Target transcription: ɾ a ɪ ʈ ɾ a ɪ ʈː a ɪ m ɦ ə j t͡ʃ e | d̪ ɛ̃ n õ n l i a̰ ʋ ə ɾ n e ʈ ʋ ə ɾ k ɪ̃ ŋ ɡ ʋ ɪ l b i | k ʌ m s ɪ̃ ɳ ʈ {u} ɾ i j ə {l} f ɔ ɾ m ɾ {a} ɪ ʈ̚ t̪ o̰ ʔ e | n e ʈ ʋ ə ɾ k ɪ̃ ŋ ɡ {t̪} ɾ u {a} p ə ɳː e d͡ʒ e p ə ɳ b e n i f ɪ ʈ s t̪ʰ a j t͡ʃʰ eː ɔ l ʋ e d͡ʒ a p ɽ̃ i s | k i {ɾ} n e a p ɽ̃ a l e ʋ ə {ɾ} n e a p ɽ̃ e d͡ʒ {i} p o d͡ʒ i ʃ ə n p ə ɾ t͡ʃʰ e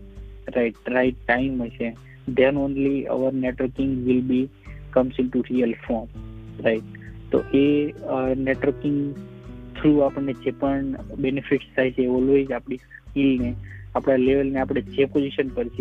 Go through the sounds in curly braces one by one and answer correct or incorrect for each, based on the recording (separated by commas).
correct, correct, correct, incorrect, correct, incorrect, incorrect, incorrect